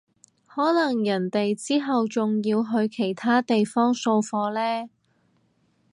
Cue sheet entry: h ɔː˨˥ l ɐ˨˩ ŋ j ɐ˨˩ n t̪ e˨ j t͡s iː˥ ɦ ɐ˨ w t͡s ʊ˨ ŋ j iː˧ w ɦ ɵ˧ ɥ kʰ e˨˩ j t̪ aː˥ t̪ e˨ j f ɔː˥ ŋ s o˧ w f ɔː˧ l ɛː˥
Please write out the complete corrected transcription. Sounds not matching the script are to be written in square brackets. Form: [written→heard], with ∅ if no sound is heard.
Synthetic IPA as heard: h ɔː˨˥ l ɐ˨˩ ŋ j ɐ˨˩ n t̪ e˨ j t͡s iː˥ ɦ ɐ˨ w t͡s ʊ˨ ŋ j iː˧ w ɦ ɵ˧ ɥ kʰ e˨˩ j [t̪→t̪ʰ] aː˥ t̪ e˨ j f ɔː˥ ŋ s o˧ w f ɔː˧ l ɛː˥

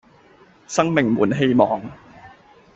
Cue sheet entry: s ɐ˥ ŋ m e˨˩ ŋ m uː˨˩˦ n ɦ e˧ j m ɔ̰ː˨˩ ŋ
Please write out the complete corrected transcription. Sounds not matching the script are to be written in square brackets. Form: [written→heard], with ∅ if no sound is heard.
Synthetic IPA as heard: s ɐ˥ ŋ m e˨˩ ŋ m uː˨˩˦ n ɦ e˧ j m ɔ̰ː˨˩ ŋ

